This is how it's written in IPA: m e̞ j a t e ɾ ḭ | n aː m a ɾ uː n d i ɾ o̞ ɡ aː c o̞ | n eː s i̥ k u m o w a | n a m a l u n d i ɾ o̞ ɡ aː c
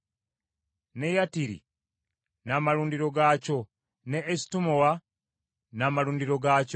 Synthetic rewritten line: n e̞ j a t i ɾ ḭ | n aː m a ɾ uː n d i ɾ o̞ ɡ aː c o̞ | n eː s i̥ t u m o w a | n a m a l uː n d i ɾ o̞ ɡ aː c